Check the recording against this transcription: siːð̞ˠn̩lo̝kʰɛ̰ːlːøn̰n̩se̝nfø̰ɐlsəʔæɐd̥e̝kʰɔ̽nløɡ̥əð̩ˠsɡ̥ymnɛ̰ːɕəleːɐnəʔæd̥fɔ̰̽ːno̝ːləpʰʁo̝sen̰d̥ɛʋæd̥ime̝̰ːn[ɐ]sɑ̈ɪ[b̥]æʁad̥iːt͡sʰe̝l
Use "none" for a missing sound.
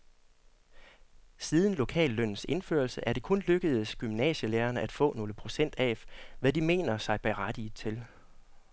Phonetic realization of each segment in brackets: ɐ, b̥

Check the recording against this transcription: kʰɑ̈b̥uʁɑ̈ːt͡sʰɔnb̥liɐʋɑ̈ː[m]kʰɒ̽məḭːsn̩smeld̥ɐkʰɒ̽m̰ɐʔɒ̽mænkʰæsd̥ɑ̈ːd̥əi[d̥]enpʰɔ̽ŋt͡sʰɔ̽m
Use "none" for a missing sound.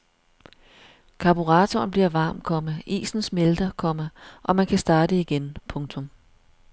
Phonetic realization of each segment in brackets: m, ɡ̥

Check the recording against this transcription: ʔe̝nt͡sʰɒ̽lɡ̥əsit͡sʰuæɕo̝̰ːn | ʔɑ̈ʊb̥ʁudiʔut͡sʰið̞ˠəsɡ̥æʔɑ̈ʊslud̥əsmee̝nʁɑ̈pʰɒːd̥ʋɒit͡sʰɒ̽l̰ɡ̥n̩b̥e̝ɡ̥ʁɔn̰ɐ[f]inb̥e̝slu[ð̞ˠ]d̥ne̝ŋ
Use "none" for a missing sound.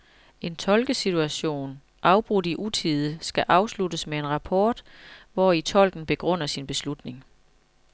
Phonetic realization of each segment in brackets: s, none

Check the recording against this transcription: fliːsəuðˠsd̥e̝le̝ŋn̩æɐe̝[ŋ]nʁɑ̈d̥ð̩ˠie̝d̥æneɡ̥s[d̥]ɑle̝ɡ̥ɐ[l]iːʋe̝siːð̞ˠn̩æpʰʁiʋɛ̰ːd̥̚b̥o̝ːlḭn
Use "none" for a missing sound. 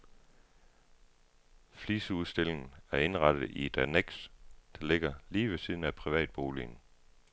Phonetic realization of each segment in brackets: none, d̥, l

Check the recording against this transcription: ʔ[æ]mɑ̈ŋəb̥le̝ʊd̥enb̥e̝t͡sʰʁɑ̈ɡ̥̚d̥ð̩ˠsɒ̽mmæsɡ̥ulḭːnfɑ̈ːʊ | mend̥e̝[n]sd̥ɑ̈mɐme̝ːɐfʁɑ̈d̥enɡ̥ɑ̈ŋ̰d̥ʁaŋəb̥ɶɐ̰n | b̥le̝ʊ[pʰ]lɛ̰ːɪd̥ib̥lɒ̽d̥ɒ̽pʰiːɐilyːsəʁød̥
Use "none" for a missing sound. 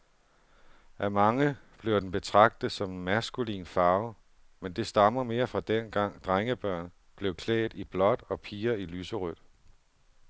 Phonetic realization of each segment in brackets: æ, none, kʰ

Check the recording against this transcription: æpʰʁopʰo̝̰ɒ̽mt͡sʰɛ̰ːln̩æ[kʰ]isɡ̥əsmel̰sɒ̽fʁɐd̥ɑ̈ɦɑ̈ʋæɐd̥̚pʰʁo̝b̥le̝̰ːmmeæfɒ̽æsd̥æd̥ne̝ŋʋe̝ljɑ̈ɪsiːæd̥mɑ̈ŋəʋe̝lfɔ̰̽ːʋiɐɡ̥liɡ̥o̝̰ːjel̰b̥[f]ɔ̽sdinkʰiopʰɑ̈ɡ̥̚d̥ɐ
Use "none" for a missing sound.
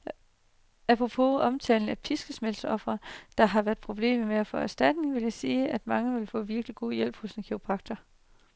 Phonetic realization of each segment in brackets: pʰ, h

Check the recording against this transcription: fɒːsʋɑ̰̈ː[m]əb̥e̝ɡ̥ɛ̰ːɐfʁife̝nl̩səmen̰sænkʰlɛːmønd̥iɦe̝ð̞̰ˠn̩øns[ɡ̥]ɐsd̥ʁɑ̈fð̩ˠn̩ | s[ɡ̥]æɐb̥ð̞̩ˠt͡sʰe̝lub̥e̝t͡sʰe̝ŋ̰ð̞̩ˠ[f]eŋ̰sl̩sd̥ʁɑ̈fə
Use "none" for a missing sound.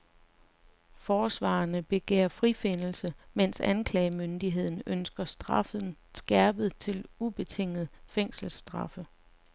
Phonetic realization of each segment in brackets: n, ɡ̥, ɡ̥, f

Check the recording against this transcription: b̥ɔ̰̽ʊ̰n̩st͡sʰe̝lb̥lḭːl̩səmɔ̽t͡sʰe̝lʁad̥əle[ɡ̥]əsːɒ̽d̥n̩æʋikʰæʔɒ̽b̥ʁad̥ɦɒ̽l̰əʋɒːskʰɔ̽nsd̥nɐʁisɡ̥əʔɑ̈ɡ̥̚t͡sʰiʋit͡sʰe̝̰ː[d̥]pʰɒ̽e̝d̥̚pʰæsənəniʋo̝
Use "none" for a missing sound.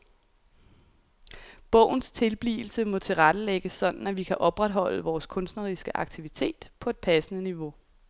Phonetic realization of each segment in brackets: ɡ̥, d̥

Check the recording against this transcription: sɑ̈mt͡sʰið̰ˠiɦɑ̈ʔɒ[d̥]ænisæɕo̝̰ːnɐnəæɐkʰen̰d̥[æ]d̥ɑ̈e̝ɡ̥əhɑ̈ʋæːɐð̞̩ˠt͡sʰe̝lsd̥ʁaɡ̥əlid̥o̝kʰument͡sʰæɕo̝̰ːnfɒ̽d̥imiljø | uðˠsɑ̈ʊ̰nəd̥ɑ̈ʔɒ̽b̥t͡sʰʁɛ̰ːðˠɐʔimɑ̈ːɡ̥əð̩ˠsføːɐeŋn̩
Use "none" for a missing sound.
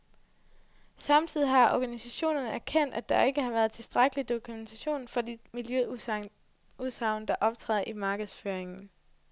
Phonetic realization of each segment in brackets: ɡ̥, æ

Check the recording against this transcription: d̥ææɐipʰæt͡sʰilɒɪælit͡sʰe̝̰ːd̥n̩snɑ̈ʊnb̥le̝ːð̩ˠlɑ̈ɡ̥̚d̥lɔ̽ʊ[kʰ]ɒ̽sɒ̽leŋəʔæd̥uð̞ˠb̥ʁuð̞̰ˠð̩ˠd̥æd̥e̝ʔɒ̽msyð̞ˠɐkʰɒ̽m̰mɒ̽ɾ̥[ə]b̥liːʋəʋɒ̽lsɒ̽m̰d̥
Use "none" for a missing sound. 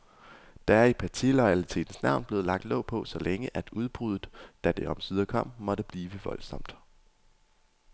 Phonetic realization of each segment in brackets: pʰ, ə

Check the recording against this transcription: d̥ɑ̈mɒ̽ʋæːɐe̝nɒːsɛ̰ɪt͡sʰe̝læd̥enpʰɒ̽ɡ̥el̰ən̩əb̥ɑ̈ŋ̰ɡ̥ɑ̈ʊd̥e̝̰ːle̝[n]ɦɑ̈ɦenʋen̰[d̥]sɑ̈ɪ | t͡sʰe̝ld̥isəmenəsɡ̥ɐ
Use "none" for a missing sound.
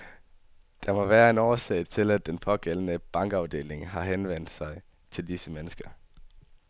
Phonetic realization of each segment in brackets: ŋ, d̥

